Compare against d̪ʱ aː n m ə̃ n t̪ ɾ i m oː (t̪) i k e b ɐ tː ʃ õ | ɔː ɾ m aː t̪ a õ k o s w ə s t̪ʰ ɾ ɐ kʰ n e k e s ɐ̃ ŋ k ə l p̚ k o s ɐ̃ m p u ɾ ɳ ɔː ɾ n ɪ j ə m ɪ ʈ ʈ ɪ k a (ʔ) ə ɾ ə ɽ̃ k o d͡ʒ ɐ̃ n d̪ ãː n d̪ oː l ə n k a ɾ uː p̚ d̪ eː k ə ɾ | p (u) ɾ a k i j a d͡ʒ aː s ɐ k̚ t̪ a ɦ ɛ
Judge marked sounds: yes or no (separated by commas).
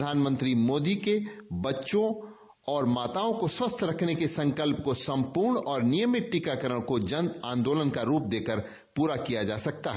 no, no, no